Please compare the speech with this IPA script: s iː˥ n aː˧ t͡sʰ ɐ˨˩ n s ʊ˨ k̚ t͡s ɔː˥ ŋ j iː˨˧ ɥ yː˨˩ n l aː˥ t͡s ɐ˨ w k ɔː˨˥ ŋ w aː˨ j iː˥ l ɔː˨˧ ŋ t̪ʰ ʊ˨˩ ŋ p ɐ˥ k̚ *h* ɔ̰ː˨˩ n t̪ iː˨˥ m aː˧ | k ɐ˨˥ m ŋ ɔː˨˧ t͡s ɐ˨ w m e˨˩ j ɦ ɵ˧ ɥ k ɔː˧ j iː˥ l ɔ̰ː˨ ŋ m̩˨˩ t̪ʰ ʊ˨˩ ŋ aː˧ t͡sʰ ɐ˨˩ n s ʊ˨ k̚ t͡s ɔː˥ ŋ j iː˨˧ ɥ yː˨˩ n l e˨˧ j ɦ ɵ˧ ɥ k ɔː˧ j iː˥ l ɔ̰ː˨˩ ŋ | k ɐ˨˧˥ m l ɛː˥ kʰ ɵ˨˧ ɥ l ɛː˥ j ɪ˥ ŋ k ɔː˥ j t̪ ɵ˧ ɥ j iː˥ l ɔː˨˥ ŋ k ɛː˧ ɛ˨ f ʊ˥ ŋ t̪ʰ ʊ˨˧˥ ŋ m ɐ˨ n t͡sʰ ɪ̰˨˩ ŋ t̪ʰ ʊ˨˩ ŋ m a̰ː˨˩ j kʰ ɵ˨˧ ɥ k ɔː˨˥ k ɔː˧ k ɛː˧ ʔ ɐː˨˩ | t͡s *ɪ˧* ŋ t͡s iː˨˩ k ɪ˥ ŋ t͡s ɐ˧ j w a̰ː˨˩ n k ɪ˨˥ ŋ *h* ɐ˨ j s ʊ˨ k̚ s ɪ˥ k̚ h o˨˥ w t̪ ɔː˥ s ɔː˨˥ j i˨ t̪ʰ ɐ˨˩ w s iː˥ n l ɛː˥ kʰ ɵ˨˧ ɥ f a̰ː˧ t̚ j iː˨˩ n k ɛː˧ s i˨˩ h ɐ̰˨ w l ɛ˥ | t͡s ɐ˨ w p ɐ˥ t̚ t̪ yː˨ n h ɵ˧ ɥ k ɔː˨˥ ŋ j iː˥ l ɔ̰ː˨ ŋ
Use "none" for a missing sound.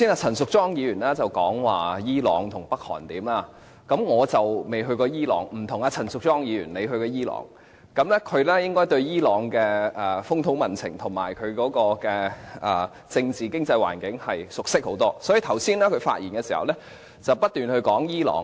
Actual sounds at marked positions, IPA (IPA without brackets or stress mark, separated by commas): h, ɪ˧, h